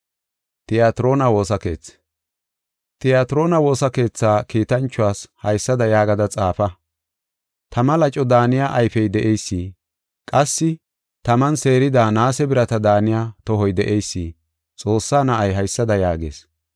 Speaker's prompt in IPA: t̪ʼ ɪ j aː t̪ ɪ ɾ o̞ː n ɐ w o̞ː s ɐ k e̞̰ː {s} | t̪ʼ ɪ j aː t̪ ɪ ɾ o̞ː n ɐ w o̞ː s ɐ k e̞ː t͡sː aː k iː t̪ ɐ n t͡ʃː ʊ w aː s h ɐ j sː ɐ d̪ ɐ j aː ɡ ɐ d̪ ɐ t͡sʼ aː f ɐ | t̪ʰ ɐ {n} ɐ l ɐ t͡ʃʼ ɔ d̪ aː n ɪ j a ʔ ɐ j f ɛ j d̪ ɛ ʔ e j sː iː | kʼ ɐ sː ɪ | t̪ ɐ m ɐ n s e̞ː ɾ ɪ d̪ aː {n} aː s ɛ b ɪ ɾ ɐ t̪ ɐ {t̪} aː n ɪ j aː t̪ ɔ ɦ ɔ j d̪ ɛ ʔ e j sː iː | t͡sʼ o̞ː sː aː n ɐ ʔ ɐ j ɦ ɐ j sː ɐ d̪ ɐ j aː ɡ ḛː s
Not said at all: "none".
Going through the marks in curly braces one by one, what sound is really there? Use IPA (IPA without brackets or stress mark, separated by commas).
t͡s, m, n, d̪